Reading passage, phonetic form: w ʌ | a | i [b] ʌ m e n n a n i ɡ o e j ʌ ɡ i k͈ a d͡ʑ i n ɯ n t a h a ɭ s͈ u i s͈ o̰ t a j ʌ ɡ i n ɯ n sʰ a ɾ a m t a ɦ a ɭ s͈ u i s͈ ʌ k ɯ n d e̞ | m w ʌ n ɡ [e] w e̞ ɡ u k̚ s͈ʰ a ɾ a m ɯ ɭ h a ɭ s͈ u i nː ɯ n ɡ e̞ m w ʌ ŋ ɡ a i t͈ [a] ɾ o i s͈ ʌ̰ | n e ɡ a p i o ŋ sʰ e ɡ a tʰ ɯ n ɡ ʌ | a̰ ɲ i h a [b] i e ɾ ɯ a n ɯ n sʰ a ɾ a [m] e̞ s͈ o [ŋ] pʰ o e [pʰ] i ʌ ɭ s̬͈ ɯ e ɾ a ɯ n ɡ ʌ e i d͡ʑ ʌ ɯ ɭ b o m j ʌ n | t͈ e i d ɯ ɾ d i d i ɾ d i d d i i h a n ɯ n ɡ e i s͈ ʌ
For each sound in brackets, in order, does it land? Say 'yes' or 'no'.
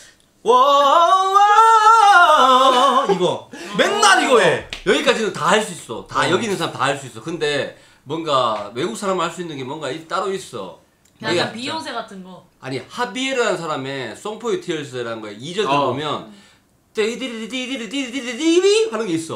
no, no, yes, yes, yes, yes, no

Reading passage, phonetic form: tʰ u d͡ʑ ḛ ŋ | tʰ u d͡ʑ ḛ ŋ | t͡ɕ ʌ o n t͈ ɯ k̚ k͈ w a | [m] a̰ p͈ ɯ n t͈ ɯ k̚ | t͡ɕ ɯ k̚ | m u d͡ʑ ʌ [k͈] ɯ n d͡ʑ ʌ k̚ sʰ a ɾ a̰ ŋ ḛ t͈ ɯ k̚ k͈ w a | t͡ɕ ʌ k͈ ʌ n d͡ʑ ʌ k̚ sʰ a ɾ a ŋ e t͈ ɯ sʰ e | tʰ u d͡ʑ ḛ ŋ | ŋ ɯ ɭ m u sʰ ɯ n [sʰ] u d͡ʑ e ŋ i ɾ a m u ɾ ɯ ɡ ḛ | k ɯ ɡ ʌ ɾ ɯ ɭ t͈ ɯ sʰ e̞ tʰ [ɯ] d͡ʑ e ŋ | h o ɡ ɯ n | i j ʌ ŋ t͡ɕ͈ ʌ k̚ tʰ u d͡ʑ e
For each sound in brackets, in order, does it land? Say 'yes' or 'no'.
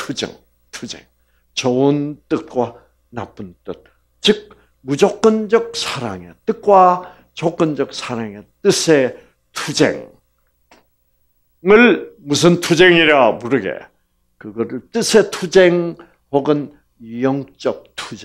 no, yes, no, no

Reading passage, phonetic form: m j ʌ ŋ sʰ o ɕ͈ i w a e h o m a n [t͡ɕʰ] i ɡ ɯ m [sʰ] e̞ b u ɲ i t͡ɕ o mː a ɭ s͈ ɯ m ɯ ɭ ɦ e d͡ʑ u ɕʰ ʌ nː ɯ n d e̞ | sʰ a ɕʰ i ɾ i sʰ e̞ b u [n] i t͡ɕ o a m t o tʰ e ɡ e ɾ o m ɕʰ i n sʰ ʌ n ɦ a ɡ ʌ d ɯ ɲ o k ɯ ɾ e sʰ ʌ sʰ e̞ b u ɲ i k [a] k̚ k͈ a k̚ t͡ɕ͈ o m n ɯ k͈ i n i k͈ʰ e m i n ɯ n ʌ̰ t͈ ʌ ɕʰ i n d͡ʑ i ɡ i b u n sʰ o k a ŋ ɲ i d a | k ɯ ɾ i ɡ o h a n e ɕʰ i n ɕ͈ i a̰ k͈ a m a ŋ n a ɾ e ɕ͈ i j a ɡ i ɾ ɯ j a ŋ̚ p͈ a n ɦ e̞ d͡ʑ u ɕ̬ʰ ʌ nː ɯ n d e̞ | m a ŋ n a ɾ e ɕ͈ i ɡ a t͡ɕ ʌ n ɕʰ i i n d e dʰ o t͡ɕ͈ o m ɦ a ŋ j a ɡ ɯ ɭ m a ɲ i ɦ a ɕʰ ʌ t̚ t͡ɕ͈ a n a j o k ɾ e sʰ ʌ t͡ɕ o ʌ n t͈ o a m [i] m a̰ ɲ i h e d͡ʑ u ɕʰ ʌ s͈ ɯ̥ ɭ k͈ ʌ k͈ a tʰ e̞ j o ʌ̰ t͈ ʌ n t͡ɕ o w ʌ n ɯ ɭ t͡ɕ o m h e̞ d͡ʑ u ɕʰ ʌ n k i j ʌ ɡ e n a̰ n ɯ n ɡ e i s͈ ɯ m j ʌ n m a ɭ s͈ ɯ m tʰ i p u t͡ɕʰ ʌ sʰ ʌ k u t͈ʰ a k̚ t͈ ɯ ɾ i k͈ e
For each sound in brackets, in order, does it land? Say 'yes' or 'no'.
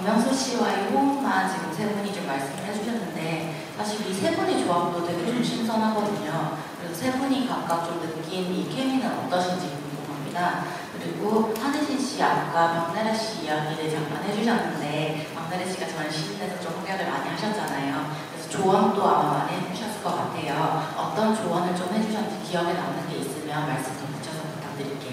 no, yes, no, yes, no

